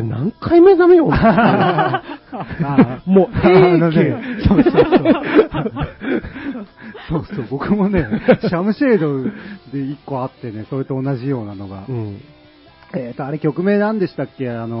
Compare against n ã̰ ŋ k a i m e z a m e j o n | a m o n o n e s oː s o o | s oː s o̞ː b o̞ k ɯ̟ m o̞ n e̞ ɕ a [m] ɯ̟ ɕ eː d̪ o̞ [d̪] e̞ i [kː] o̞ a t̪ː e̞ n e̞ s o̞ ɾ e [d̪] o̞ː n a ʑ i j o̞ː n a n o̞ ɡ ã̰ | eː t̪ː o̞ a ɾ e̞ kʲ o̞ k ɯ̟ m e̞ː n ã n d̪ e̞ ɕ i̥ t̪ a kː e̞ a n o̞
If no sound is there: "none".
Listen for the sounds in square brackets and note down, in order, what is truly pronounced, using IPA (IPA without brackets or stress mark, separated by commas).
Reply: m, d̪, kː, t̪